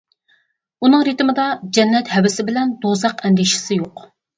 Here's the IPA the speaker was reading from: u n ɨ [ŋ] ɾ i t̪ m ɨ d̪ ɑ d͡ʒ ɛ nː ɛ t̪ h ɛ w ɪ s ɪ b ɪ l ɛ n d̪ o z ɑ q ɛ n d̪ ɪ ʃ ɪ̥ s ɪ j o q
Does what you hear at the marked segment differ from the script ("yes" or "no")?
no